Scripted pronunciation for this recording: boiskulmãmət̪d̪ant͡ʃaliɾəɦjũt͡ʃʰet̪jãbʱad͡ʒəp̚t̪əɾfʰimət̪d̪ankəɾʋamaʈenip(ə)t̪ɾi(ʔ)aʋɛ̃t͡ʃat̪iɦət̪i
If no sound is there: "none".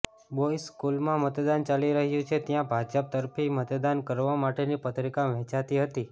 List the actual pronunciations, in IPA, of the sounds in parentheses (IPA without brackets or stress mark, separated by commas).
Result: ə, k